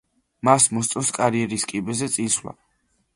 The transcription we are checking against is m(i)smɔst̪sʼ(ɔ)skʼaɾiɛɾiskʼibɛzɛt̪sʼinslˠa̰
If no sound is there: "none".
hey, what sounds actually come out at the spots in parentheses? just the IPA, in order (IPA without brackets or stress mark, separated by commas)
a, ɔ